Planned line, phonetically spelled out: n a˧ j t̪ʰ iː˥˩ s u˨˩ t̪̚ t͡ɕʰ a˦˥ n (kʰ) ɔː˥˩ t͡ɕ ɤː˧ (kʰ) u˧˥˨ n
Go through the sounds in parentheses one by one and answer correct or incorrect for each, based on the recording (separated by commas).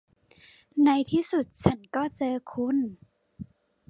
incorrect, correct